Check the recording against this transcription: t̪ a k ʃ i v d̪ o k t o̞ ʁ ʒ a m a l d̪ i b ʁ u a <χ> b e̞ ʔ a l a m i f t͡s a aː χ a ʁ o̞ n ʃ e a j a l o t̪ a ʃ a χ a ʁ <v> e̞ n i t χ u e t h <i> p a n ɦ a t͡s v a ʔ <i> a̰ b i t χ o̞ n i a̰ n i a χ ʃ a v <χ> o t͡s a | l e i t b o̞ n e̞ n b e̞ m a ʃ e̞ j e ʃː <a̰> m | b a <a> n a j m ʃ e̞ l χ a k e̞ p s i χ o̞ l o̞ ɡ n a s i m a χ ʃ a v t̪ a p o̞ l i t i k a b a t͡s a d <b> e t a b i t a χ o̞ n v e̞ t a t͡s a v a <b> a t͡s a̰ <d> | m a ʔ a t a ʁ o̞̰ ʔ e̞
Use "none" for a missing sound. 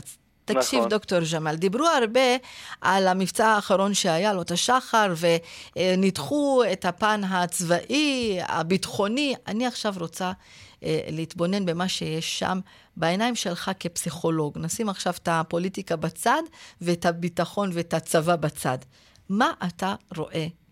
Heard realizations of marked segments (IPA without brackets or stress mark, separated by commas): ʁ, v, a, i, ʁ, a̰, e, v, b, d